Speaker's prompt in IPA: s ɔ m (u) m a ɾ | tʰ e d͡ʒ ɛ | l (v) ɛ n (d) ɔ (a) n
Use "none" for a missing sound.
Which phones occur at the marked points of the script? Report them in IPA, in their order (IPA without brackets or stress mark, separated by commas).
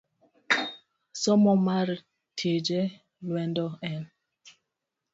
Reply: ɔ, w, d, ɛ